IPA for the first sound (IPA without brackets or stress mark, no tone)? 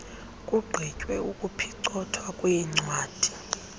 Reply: kʼ